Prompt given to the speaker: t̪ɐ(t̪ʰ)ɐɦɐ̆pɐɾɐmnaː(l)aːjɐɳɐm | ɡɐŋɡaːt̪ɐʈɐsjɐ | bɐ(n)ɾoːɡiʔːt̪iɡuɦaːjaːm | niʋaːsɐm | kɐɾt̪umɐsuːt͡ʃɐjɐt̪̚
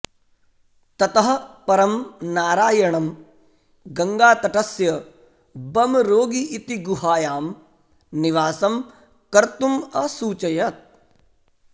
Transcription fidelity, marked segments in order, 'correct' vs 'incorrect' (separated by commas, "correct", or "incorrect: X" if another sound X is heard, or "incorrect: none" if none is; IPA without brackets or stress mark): incorrect: t̪, incorrect: ɾ, incorrect: m